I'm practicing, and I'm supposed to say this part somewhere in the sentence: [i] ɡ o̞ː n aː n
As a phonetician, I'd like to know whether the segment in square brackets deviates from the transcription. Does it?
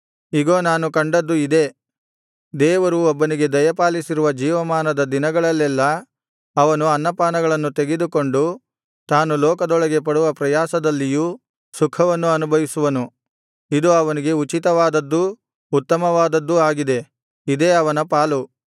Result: no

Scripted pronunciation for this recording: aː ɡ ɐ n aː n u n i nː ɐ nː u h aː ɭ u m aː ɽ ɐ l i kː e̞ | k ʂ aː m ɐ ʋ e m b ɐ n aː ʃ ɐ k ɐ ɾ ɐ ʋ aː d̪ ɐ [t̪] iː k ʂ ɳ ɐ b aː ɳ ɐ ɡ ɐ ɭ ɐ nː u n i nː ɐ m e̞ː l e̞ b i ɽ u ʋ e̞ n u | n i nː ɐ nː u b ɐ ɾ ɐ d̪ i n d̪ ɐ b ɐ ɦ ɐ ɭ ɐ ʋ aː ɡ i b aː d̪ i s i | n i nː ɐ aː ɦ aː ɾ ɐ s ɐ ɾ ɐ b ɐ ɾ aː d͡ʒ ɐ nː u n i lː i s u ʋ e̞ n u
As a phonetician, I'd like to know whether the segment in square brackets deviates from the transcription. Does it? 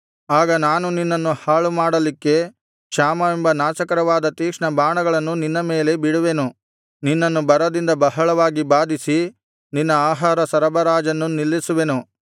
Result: no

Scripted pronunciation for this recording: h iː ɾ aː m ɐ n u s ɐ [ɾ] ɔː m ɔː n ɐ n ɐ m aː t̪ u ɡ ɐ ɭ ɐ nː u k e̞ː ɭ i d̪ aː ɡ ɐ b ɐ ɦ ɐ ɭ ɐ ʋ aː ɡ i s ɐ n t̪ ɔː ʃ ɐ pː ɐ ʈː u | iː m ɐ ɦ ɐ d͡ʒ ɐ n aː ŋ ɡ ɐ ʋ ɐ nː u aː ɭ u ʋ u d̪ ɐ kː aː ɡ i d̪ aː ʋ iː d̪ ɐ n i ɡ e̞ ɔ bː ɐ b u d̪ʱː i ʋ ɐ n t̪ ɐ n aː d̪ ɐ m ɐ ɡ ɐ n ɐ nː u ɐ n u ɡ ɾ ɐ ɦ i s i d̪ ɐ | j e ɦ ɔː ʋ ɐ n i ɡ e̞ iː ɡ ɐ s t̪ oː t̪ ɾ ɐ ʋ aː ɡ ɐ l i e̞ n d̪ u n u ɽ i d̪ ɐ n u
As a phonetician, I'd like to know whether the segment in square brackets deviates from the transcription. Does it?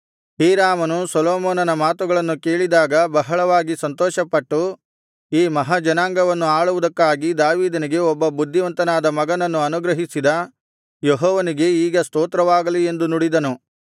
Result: yes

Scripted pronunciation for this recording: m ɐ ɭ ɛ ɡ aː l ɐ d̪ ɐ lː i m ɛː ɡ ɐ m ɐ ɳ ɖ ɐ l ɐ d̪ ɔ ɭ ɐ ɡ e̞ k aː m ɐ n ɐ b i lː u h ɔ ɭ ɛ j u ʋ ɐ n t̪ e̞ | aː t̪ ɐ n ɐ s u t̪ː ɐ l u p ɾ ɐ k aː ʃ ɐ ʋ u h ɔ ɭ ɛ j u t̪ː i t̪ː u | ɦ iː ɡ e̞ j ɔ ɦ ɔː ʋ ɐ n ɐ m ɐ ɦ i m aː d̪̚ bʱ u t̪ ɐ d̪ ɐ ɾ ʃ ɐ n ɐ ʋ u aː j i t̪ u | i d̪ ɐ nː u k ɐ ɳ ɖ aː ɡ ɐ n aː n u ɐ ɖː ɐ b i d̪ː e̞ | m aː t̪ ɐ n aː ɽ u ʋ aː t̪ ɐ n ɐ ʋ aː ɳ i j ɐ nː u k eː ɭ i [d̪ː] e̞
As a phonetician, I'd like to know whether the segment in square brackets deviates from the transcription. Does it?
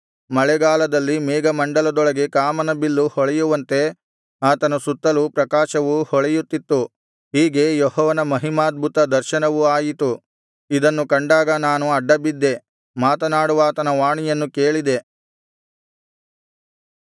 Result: yes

